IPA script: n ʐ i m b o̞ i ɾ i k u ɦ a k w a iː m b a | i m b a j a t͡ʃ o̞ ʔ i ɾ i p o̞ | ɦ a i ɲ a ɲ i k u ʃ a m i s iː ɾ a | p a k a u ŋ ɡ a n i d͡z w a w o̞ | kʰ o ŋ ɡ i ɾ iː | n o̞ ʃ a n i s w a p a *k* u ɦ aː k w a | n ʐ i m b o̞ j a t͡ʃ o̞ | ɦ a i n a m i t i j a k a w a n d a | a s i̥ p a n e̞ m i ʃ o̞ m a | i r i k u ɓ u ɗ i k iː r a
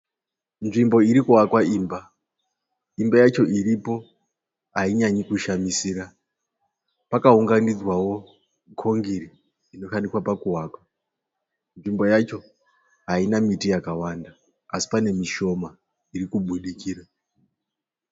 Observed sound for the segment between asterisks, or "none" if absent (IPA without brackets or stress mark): k